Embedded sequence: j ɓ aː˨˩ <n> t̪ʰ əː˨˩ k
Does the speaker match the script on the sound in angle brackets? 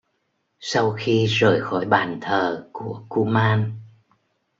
yes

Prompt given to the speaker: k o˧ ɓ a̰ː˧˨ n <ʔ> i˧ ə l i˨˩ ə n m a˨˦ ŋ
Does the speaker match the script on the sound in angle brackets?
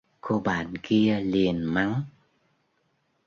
no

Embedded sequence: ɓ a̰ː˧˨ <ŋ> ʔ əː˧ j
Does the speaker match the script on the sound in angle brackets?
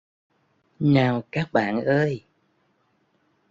no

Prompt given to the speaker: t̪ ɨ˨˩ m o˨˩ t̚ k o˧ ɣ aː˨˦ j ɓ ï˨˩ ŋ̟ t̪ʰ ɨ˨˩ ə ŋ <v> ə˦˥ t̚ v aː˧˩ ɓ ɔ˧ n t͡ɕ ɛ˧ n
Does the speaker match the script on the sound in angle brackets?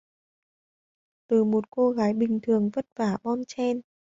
yes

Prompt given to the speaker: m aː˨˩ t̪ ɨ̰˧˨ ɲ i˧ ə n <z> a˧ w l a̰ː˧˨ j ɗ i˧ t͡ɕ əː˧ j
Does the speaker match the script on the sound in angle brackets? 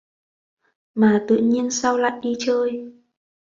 no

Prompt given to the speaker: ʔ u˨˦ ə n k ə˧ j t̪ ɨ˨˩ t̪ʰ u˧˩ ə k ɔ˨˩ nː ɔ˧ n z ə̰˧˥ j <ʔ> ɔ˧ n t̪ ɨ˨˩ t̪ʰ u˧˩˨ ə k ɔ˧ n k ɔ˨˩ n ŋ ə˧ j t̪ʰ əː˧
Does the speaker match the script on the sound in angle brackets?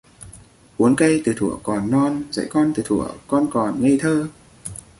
no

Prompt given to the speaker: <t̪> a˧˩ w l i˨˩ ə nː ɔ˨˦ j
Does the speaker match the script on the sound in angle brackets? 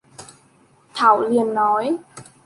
no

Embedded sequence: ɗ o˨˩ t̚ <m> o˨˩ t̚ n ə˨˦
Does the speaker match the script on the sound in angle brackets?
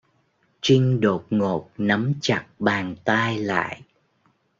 no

